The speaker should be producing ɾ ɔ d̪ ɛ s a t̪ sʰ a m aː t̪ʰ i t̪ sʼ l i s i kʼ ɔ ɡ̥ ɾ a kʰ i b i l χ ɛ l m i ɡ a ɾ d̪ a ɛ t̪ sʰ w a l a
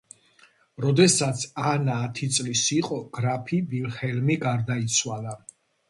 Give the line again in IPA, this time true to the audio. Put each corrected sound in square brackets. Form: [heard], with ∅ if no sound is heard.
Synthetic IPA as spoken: ɾ ɔ d̪ ɛ s a t̪ sʰ a [n] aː t̪ʰ i t̪ sʼ l i s i [qʼ] ɔ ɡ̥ ɾ a [pʰ] i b i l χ ɛ l m i ɡ a ɾ d̪ a [i] t̪ sʰ w a l a

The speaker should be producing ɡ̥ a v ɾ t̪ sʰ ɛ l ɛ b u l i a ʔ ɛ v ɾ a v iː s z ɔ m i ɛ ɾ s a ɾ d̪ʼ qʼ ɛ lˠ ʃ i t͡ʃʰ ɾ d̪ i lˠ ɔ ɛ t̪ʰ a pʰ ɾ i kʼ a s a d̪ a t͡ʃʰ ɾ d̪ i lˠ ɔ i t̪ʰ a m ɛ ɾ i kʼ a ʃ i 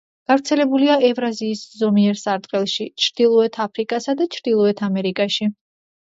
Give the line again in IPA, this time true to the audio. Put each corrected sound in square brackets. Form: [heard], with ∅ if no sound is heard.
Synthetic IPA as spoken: ɡ̥ a v ɾ t̪ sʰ ɛ l ɛ b u l i a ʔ ɛ v ɾ a [z] iː s z ɔ m i ɛ ɾ s a ɾ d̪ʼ qʼ ɛ lˠ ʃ i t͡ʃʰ ɾ d̪ i lˠ ɔ ɛ t̪ʰ a pʰ ɾ i kʼ a s a d̪ a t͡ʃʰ ɾ d̪ i lˠ ɔ [ɛ] t̪ʰ a m ɛ ɾ i kʼ a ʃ i

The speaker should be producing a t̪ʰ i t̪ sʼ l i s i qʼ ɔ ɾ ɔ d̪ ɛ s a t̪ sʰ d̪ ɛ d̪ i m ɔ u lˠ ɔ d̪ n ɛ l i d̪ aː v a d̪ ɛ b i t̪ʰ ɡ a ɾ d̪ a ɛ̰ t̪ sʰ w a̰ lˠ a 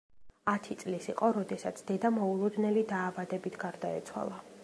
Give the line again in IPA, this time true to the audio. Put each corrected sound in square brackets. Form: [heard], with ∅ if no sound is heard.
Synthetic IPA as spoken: a t̪ʰ i t̪ sʼ l i s i qʼ ɔ ɾ ɔ d̪ ɛ s a t̪ sʰ d̪ ɛ d̪ [a] m ɔ u lˠ ɔ d̪ n ɛ l i d̪ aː v a d̪ ɛ b i t̪ʰ ɡ a ɾ d̪ a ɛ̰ t̪ sʰ w a̰ lˠ a

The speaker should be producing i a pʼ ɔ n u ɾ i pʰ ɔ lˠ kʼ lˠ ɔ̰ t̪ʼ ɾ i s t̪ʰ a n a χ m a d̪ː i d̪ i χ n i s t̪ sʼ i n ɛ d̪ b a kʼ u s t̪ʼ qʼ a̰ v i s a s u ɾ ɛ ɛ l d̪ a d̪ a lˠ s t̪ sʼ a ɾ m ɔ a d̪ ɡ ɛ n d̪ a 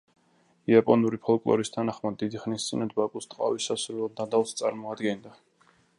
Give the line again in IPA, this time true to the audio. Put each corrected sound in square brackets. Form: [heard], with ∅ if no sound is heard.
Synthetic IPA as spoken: i a pʼ ɔ n u ɾ i pʰ ɔ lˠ kʼ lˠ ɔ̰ [∅] ɾ i s t̪ʰ a n a χ m a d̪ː i d̪ i χ n i s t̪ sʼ i n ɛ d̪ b a kʼ u s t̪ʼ qʼ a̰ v i s a s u ɾ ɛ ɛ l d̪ a d̪ a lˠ s t̪ sʼ a ɾ m ɔ a d̪ ɡ ɛ n d̪ a

